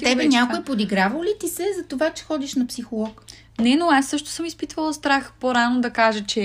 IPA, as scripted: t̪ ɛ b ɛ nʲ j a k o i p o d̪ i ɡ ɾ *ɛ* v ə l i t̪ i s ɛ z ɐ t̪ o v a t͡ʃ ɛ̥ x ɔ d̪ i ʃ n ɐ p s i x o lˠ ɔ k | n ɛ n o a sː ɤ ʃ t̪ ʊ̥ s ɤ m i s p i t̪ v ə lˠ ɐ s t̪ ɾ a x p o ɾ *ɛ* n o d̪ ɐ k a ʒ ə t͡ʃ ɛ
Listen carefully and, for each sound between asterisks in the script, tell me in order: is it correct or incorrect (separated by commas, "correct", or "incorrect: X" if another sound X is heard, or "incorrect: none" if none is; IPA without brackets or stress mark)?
incorrect: a, incorrect: a